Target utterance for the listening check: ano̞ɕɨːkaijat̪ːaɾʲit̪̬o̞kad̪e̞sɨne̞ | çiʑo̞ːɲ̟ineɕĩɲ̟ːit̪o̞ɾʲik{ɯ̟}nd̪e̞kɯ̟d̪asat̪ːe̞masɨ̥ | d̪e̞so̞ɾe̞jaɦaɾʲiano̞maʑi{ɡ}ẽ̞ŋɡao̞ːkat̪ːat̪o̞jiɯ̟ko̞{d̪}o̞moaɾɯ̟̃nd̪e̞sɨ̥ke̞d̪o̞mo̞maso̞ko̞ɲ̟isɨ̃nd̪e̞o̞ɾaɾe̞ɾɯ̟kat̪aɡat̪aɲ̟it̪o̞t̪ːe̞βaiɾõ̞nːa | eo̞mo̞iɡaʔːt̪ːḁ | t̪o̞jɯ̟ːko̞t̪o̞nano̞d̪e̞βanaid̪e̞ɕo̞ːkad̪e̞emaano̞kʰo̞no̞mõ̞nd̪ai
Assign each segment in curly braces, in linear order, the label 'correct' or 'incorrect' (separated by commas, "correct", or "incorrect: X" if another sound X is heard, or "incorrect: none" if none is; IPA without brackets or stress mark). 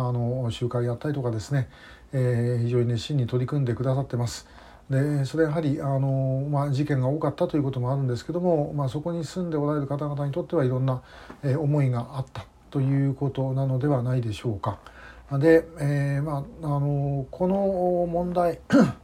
incorrect: ɯ̟̃, incorrect: k, incorrect: t̪